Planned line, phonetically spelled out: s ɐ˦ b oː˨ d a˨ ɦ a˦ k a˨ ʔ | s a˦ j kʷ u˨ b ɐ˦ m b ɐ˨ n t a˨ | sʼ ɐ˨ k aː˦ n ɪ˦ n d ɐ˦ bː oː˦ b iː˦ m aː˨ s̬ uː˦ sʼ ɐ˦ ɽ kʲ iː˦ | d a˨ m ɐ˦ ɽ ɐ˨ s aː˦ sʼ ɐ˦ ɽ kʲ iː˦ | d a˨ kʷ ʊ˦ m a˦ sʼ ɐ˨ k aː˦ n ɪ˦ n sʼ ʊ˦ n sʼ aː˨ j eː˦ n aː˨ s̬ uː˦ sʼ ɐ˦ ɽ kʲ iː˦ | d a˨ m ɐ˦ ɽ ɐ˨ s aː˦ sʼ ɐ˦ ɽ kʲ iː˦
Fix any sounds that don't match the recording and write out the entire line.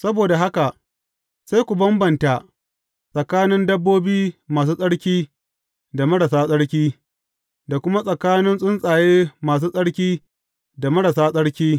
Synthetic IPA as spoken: s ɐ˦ b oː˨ d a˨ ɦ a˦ k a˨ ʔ | s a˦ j kʷ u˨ b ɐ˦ m b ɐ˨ n t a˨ | sʼ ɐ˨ k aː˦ n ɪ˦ n d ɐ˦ bː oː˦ b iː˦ m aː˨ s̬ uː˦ sʼ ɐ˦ ɽ kʲ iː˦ | d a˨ m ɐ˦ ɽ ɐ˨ s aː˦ sʼ ɐ˦ ɽ kʲ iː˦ | d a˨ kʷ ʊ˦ m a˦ sʼ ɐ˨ k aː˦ n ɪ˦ n sʼ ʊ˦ n sʼ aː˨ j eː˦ m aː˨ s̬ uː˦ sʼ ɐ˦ ɽ kʲ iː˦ | d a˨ m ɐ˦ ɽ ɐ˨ s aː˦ sʼ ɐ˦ ɽ kʲ iː˦